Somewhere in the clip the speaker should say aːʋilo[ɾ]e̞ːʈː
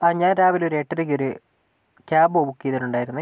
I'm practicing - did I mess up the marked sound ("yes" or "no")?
no